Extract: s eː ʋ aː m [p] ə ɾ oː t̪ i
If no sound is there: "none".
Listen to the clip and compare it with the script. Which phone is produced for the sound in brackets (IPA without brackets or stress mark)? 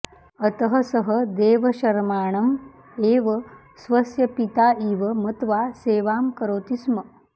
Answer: k